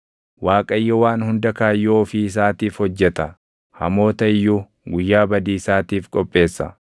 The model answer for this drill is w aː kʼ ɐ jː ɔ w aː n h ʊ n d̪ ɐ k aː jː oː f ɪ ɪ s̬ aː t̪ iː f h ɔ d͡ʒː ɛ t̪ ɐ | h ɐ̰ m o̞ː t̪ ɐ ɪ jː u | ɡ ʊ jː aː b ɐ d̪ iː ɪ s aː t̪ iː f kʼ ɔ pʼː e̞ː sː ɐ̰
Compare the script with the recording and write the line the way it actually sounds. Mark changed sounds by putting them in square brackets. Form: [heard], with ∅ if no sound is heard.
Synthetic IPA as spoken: w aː kʼ ɐ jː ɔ w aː n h ʊ n d̪ ɐ k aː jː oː f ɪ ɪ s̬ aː t̪ iː f h ɔ d͡ʒː ɛ t̪ ɐ | h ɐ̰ m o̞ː t̪ ɐ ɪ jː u | ɡ ʊ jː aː b ɐ d̪ iː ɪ s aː t̪ iː f kʼ ɔ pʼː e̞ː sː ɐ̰